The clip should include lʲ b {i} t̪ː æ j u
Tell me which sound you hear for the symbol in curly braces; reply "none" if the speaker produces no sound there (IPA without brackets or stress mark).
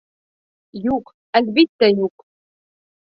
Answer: i